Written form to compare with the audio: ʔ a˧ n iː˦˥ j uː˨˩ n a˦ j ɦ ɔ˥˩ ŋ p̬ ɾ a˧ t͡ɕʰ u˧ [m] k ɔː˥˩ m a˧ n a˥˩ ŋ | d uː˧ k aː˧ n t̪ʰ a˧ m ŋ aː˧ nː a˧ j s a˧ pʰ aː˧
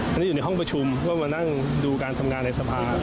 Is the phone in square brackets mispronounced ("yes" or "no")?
no